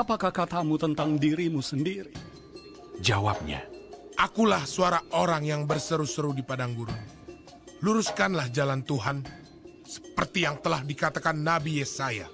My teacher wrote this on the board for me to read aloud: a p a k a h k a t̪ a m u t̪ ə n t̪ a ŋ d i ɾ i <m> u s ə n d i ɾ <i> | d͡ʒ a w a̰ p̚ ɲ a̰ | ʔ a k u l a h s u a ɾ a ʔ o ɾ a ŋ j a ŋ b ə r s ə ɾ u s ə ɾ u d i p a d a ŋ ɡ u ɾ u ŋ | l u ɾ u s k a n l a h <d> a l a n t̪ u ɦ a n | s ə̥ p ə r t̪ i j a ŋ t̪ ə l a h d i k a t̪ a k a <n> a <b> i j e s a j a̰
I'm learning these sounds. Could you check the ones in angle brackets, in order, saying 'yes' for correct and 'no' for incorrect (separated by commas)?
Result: yes, yes, no, no, yes